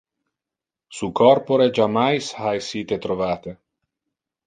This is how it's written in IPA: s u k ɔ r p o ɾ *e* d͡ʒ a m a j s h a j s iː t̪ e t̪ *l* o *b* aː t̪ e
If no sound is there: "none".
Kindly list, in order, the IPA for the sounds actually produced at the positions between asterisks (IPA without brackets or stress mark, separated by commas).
e, ɾ, v